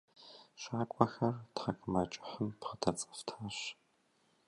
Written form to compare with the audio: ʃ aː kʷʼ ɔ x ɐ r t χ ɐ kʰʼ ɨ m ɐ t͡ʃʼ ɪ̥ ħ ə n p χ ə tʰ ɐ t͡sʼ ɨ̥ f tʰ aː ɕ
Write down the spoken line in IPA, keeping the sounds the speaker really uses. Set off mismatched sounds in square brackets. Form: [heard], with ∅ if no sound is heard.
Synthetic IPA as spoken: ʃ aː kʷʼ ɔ x ɐ r t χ ɐ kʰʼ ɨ m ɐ t͡ʃʼ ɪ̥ ħ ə [m] p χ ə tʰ ɐ t͡sʼ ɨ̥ f tʰ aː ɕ